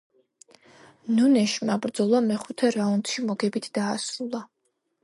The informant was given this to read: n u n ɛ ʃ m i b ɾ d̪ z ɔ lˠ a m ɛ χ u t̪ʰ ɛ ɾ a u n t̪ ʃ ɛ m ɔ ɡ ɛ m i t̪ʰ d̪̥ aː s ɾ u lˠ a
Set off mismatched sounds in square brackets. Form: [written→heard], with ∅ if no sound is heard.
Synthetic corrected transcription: n u n ɛ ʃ m [i→a] b ɾ d̪ z ɔ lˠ a m ɛ χ u t̪ʰ ɛ ɾ a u n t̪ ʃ [ɛ→i] m ɔ ɡ ɛ [m→b] i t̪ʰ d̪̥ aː s ɾ u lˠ a